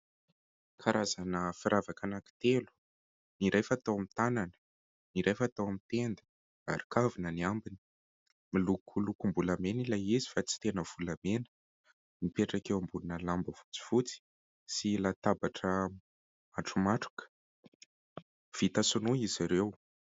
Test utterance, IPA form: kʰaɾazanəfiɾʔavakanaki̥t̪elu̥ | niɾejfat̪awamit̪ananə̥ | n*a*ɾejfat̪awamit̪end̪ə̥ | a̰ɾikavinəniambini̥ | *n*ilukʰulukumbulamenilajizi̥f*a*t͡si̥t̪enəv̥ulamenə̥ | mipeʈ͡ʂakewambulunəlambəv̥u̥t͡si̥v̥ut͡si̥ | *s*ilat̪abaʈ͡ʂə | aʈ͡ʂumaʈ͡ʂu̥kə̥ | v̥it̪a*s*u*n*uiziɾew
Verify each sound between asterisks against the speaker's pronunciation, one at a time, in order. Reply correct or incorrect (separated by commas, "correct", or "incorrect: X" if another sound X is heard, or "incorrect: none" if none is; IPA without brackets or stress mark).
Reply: incorrect: i, incorrect: m, correct, correct, correct, correct